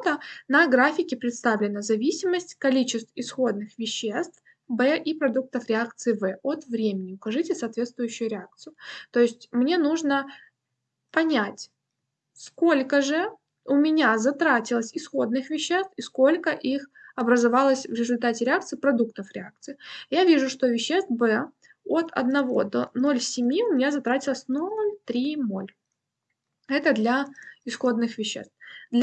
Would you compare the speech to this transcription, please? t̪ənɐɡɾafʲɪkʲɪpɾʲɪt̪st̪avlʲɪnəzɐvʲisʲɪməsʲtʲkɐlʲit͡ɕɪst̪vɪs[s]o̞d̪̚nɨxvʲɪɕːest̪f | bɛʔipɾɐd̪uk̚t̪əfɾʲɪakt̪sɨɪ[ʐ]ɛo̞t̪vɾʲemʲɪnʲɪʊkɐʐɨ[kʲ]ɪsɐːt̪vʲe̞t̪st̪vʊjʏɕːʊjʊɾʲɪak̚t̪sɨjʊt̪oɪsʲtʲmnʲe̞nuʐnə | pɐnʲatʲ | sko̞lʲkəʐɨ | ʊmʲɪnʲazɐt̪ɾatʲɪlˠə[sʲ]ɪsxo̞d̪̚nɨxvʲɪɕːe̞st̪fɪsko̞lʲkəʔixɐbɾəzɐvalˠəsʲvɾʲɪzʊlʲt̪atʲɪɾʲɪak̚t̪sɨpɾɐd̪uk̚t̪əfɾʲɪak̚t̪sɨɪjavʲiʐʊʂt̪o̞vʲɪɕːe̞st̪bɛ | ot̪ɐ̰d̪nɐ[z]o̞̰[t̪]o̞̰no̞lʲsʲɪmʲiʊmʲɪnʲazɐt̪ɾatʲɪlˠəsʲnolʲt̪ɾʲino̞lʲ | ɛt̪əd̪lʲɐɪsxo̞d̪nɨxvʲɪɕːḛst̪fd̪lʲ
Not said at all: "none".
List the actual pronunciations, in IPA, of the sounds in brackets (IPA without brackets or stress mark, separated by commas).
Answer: x, v, tʲ, sʲ, v, d̪